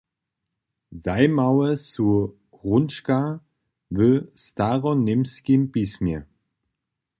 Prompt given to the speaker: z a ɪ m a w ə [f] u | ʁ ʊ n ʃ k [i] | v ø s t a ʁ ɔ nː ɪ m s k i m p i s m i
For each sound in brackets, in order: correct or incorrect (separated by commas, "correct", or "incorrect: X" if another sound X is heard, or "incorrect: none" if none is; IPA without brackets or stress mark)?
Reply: incorrect: s, incorrect: a